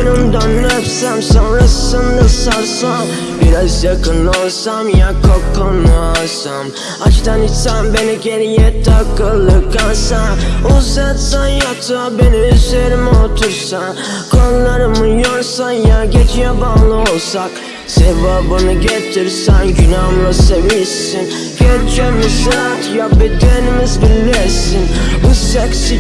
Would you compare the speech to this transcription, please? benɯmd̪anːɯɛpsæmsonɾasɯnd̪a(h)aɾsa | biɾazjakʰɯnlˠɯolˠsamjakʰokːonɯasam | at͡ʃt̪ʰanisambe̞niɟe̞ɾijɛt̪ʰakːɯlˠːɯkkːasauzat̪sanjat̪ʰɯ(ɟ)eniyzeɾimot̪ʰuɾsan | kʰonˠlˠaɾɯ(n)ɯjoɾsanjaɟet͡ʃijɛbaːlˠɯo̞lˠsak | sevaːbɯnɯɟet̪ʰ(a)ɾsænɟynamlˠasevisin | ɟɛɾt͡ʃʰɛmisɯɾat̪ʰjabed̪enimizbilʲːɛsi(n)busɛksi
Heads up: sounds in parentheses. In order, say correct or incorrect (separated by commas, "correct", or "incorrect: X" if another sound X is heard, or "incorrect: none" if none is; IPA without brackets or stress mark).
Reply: incorrect: s, incorrect: b, incorrect: m, incorrect: i, correct